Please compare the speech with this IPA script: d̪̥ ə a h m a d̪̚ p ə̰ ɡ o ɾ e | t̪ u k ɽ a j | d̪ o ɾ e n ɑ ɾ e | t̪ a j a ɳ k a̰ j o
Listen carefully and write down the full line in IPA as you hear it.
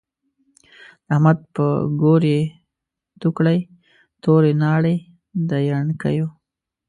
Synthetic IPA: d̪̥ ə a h m a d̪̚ p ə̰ ɡ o ɾ e | t̪ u k ɽ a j | t̪ o ɾ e n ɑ ɽ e | d̪ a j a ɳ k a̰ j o